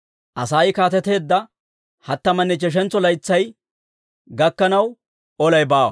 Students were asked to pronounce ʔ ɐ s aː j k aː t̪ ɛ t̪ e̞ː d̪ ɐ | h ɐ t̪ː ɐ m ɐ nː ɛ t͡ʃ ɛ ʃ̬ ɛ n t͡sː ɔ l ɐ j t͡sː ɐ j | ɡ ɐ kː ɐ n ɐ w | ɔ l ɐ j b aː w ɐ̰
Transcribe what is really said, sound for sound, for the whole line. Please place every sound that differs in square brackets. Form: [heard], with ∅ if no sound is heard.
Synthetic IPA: ʔ ɐ s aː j k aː t̪ ɛ t̪ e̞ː [d̪ː] ɐ | h ɐ t̪ː ɐ m ɐ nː ɛ t͡ʃ ɛ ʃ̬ ɛ n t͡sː ɔ l ɐ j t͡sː ɐ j | ɡ ɐ kː ɐ n ɐ w | ɔ l ɐ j b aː w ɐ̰